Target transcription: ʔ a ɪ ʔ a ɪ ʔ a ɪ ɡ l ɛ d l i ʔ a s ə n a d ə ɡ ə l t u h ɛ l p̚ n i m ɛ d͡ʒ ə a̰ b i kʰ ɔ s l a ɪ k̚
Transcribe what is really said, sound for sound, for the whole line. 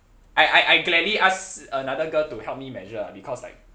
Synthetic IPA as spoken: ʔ a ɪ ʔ a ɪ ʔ a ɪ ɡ l ɛ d l i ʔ a s ə n a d ə ɡ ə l t u h ɛ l p̚ m i m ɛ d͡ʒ ə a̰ b i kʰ ɔ s l a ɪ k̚

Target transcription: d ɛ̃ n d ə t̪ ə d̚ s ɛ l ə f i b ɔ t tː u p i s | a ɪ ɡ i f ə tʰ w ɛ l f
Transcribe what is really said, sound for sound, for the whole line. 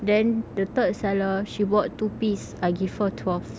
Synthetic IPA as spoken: d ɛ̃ n d ə t̪ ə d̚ s ɛ l ə ʃ i b ɔ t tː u p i s | a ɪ ɡ i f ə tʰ w ɛ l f

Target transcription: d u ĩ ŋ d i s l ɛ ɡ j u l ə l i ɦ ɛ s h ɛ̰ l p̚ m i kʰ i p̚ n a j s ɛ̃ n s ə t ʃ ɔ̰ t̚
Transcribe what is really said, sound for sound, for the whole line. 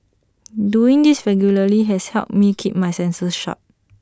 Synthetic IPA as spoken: d u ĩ ŋ d i s ɹ ɛ ɡ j u l ə l i ɦ ɛ s h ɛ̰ l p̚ m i kʰ i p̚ m a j s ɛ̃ n s ə s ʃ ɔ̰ t̚

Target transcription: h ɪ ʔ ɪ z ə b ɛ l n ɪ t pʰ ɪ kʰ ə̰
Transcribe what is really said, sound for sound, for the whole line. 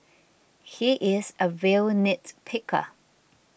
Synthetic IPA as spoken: h i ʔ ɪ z ə v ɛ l n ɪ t pʰ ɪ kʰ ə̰

